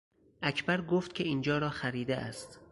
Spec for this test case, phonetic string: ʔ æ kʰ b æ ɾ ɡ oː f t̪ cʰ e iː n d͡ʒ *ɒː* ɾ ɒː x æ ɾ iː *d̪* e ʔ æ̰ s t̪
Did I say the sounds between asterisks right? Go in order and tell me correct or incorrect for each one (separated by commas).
correct, correct